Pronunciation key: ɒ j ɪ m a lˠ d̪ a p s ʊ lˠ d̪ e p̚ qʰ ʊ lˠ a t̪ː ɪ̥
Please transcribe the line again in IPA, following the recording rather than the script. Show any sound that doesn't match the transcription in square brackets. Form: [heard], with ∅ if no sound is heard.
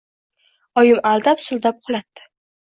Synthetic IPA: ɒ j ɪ m a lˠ d̪ a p s ʊ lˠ d̪ [a] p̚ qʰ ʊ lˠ a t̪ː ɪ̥